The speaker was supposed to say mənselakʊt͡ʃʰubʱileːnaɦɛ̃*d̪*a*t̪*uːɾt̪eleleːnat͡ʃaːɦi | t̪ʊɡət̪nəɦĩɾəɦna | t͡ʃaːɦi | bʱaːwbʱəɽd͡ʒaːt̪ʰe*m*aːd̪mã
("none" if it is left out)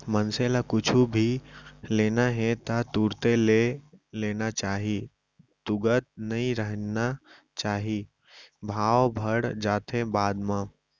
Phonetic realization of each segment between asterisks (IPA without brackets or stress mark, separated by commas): t̪, t̪, b